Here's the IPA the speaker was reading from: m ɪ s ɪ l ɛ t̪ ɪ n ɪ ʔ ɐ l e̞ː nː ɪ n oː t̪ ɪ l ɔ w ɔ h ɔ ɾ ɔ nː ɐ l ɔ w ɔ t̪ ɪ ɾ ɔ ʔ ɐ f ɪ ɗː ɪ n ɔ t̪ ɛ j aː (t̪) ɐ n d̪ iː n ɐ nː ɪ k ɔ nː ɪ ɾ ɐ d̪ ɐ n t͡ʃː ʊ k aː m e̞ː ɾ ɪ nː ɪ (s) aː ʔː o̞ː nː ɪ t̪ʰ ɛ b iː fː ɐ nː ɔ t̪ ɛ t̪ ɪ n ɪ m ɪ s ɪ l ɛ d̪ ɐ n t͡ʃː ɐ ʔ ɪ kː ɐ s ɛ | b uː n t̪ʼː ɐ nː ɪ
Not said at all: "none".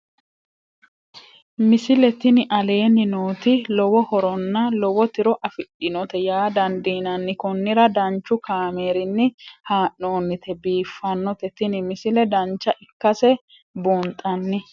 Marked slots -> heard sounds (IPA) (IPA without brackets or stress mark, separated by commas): d̪, h